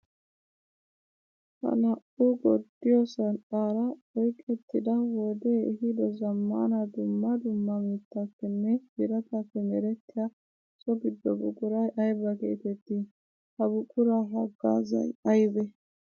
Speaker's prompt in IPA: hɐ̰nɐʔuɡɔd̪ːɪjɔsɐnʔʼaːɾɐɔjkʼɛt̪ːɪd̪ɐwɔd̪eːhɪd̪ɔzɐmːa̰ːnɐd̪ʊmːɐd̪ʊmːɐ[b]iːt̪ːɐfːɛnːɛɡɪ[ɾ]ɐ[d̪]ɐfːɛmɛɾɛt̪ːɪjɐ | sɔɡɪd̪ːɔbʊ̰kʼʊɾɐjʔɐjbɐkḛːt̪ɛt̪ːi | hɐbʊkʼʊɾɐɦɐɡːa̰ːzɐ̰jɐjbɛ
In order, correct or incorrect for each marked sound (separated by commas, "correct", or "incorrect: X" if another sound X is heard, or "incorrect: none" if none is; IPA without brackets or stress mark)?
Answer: incorrect: m, correct, incorrect: t̪